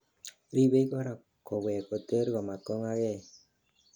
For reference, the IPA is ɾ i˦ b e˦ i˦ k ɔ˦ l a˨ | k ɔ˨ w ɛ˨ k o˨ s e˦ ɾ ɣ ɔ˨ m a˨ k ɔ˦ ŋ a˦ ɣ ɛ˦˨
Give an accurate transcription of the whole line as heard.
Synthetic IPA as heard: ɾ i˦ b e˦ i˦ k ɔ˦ ɾ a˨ | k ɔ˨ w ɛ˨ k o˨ t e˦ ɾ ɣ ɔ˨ m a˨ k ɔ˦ ŋ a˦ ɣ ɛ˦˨